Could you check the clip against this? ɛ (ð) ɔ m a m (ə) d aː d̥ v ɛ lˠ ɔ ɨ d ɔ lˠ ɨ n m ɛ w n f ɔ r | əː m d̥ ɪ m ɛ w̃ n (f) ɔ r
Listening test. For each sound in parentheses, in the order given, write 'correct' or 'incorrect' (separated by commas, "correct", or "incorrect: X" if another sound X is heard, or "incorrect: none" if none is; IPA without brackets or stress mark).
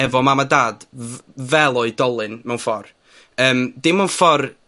incorrect: v, incorrect: a, correct